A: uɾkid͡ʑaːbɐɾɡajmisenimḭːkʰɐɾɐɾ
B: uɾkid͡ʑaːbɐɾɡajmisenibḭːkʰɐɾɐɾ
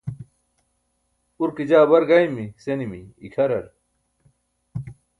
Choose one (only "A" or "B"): A